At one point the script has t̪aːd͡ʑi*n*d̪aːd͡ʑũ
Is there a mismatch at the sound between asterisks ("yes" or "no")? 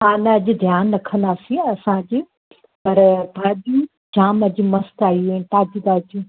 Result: yes